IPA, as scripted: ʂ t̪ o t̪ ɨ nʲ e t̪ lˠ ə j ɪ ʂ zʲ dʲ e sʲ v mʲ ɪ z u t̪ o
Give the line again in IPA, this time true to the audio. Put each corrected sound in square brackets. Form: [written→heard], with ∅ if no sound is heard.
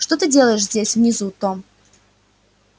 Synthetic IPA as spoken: ʂ t̪ o t̪ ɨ [nʲ→dʲ] e [t̪→∅] lˠ ə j ɪ ʂ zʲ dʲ e sʲ v [mʲ→nʲ] ɪ z u t̪ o